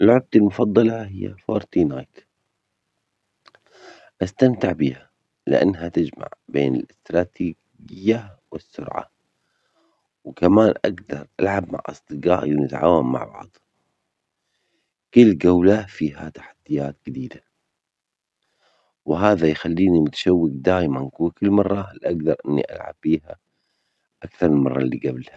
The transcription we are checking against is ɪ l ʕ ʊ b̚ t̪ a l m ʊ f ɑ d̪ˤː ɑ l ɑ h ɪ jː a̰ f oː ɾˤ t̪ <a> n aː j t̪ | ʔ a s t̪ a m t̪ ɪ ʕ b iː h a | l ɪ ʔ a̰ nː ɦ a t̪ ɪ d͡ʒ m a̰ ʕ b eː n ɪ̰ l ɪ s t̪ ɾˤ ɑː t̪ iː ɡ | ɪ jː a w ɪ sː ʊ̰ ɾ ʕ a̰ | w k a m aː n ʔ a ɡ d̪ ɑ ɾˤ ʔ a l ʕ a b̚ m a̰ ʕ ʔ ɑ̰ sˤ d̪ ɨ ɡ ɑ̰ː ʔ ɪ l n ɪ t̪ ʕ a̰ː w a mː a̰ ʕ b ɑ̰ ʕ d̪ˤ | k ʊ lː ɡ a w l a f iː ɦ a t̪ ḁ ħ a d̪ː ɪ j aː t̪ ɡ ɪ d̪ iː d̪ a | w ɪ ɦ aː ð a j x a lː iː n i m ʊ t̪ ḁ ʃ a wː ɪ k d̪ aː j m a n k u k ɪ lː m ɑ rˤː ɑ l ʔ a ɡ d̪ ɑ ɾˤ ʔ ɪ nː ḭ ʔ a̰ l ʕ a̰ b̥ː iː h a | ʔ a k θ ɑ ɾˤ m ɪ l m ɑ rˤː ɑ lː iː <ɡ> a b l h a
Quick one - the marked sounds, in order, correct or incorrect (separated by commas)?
incorrect, correct